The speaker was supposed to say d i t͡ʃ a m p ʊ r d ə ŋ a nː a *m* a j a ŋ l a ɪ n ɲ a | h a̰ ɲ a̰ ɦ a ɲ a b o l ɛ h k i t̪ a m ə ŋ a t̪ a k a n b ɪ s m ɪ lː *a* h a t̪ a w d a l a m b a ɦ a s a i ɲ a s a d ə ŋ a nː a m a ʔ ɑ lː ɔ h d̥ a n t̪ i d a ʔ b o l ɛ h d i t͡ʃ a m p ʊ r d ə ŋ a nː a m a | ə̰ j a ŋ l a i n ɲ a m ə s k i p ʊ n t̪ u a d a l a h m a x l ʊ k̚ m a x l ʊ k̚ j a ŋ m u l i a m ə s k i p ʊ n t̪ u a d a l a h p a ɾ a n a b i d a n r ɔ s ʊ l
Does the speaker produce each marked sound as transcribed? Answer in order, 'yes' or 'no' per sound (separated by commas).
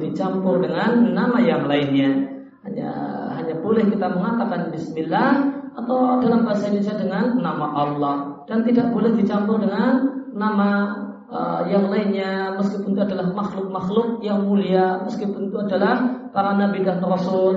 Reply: yes, yes